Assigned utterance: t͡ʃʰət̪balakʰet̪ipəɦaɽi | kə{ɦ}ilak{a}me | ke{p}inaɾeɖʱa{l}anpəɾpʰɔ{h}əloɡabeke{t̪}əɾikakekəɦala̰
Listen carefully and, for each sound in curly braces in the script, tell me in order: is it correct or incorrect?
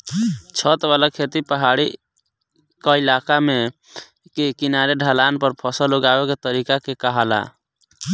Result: incorrect: none, correct, incorrect: k, correct, incorrect: s, correct

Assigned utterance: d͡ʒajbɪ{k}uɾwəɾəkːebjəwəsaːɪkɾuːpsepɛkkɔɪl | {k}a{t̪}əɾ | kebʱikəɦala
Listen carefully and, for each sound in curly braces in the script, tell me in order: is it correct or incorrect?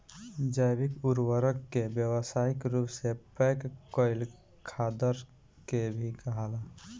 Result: correct, incorrect: kʰ, incorrect: d̪

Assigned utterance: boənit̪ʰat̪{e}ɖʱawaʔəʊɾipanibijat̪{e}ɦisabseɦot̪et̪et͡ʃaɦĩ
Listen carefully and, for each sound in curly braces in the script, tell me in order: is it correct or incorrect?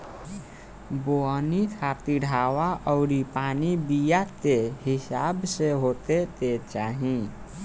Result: incorrect: i, correct

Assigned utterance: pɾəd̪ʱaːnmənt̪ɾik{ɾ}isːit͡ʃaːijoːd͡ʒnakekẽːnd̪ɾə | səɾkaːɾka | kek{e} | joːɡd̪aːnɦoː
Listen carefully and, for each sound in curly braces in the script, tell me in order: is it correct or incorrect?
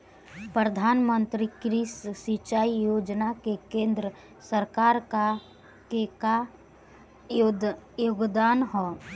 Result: correct, incorrect: a

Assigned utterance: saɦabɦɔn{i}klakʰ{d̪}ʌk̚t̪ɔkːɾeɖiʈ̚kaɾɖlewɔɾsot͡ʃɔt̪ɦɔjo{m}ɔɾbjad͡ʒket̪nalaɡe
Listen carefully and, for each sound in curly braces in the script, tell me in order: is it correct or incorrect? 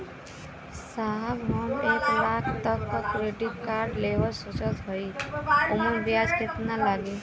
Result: incorrect: e, incorrect: t̪, correct

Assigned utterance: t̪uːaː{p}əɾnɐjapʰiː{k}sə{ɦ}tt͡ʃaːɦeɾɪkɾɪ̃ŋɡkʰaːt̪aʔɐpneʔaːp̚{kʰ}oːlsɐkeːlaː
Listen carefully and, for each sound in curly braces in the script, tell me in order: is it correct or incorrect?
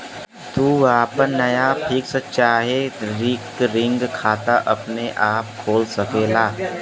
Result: correct, correct, incorrect: none, correct

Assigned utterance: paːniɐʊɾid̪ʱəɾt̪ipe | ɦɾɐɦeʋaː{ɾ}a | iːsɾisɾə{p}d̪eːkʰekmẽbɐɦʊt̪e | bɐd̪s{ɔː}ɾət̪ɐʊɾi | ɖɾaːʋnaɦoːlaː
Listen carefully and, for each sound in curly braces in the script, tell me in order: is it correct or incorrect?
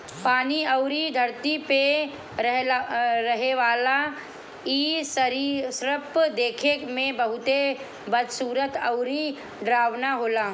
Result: incorrect: l, correct, incorrect: uː

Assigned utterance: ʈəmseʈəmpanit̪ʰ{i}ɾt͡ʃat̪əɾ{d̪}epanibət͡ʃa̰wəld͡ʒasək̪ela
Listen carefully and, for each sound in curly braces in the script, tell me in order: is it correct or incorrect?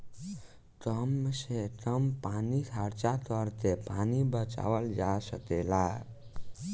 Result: incorrect: a, incorrect: t̪

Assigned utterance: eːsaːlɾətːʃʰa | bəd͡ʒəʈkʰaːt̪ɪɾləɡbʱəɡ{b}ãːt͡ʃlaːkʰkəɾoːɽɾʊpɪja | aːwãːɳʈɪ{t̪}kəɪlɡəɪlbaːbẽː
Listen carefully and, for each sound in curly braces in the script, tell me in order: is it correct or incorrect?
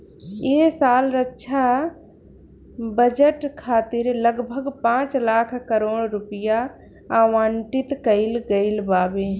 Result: incorrect: p, correct

